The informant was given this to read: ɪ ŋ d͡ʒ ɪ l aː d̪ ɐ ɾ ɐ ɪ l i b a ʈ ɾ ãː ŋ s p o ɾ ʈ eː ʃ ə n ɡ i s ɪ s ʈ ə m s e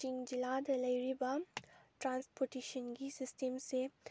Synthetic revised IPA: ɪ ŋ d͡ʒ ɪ l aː d̪ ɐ l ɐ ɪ ɾ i b a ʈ ɾ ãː n s p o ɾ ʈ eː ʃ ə n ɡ i s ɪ s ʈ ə m s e